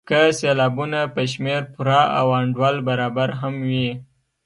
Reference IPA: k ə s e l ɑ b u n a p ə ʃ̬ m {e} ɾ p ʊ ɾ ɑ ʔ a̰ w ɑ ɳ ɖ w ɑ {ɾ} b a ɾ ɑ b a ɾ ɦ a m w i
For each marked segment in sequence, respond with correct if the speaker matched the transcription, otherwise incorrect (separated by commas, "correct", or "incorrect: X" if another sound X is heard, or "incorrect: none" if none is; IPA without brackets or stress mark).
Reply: correct, incorrect: l